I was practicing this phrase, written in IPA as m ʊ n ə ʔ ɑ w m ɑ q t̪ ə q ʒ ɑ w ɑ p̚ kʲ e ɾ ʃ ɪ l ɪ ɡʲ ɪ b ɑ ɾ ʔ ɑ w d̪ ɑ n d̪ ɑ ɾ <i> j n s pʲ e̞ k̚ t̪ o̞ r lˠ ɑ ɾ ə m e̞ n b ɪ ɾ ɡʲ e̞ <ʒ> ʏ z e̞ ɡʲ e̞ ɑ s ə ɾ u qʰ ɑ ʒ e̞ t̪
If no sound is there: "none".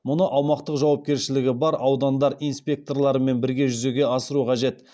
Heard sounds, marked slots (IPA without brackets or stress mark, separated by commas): i, ʒ